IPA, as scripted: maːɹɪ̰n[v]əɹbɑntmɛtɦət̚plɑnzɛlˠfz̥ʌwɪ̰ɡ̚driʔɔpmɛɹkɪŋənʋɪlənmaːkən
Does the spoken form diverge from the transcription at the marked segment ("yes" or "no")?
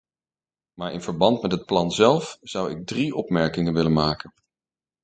no